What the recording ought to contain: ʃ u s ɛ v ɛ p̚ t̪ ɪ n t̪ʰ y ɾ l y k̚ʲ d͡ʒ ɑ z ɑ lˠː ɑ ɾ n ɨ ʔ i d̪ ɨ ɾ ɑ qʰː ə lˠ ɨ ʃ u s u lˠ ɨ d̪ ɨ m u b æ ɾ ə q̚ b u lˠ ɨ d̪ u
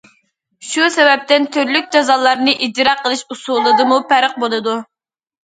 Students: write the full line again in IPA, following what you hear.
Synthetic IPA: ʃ u s ɛ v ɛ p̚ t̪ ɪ n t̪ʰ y ɾ l y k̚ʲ d͡ʒ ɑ z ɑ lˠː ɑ ɾ n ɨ ʔ i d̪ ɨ ɾ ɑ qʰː ə lˠ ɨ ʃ u s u lˠ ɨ d̪ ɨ m u p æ ɾ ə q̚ b o lˠ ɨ d̪ u